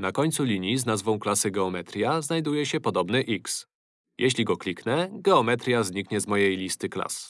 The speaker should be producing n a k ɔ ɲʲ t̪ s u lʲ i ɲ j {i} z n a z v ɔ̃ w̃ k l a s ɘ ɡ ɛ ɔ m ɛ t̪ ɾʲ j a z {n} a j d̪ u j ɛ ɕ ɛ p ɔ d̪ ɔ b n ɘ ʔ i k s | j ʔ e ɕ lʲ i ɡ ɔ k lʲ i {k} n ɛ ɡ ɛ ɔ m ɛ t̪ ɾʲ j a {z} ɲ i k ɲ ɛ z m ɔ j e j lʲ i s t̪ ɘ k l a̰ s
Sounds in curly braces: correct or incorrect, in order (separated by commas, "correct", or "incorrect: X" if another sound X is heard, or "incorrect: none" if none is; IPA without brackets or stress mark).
correct, correct, correct, correct